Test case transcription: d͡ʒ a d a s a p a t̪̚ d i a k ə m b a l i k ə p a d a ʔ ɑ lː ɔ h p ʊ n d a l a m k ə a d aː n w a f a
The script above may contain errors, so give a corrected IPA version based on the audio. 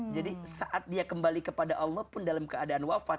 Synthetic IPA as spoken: d͡ʒ a d i s a ʔ a t̪̚ d i a k ə m b a l i k ə p a d a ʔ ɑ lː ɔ h p ʊ n d a l a m k ə a d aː n w a f a